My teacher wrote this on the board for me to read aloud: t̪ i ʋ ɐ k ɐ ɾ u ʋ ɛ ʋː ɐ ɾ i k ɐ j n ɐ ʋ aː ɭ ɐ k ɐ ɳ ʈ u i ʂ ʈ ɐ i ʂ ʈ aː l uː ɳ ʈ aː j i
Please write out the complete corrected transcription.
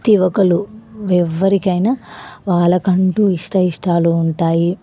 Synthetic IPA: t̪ i ʋ ɐ k ɐ l u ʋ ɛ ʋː ɐ ɾ i k ɐ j n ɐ ʋ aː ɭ ɐ k ɐ ɳ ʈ u i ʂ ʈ ɐ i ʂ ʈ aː l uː ɳ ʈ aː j i